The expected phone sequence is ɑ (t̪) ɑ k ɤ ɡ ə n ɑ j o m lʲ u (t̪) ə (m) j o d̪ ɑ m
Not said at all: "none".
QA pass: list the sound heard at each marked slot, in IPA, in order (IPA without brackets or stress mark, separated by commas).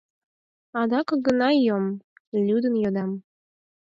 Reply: d̪, d̪, n